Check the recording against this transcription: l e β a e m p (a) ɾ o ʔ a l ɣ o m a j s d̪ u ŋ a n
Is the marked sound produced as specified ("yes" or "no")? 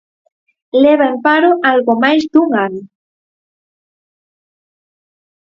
yes